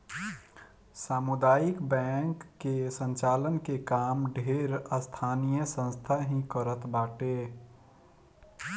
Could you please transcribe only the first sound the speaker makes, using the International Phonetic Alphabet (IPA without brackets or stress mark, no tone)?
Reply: s